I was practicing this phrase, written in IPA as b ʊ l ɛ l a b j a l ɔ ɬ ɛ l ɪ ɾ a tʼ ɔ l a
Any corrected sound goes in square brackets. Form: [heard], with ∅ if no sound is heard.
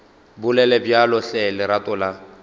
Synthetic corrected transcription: b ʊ l ɛ l [ɛ] b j a l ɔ ɬ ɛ l ɪ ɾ a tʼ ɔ l a